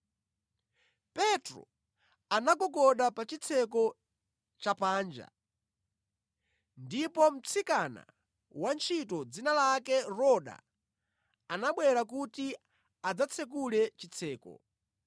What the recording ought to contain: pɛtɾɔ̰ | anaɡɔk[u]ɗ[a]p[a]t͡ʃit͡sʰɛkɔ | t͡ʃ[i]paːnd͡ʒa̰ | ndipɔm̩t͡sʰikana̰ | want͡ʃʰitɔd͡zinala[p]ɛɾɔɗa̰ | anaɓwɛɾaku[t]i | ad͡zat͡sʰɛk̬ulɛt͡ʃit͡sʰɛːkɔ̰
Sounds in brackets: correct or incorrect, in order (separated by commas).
incorrect, correct, correct, incorrect, incorrect, correct